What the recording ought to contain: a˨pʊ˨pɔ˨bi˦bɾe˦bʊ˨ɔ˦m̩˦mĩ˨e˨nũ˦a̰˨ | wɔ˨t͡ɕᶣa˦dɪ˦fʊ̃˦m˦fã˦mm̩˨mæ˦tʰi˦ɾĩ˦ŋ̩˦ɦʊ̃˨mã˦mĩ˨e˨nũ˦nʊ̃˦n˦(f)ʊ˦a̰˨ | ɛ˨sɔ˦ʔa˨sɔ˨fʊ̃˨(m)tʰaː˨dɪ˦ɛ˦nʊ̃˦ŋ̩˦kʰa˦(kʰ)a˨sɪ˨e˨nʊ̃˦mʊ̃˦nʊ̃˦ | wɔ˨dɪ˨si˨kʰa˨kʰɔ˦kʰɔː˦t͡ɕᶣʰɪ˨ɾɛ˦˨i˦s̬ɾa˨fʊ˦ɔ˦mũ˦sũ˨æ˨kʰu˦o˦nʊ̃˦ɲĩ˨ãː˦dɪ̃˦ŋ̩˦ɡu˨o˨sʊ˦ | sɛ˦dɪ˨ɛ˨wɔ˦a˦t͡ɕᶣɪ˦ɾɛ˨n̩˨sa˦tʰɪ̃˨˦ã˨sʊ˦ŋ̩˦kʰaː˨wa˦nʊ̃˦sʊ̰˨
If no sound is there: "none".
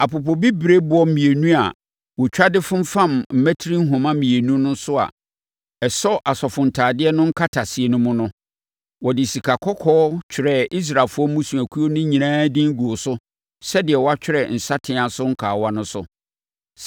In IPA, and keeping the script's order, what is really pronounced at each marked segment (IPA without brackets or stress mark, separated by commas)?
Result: s, n, tʰ